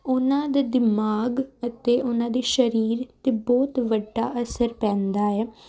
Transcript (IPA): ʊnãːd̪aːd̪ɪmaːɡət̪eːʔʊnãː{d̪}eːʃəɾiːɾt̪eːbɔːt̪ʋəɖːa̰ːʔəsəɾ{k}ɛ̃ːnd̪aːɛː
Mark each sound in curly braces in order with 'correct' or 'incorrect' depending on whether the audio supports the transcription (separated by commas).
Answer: correct, incorrect